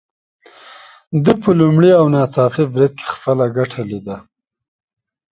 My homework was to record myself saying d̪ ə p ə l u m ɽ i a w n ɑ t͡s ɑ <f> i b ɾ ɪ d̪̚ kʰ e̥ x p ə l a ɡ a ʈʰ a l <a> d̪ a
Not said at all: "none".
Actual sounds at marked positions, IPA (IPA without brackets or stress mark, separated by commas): f, i